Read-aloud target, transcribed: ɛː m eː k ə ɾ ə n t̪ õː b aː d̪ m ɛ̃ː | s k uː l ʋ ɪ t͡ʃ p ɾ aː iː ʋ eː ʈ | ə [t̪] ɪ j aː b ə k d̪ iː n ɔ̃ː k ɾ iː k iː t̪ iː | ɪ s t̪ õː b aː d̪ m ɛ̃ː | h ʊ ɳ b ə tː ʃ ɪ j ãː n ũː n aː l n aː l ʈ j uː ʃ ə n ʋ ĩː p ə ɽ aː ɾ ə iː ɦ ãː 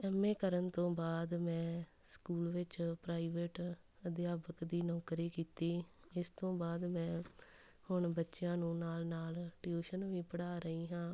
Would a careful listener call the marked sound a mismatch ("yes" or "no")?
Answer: yes